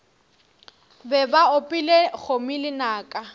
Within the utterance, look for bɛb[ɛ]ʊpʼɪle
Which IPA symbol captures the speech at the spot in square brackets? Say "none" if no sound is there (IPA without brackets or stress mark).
a